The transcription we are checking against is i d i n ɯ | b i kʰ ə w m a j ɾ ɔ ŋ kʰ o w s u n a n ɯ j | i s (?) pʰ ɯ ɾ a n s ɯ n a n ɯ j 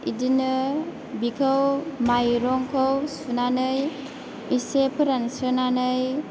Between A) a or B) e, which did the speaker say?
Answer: B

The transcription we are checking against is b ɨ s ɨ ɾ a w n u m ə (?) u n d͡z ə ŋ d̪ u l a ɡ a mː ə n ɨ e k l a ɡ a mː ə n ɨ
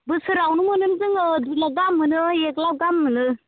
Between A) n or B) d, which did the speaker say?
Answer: A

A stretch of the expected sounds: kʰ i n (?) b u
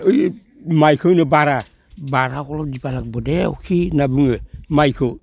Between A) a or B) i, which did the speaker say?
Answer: A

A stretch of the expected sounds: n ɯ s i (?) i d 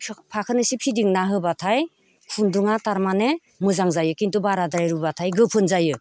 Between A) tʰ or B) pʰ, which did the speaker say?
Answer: B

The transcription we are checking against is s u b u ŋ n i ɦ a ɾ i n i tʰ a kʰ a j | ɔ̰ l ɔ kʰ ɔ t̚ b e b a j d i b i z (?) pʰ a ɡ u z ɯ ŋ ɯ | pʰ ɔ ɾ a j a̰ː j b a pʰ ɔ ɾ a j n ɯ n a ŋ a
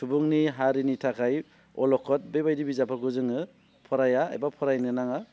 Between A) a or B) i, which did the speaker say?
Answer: A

